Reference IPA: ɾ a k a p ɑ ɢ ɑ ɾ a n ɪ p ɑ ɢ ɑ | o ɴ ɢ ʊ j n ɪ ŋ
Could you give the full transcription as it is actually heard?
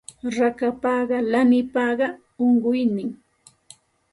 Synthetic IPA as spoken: ɾ a k a p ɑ ɢ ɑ l a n ɪ p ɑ ɢ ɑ | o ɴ ɢ ʊ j n ɪ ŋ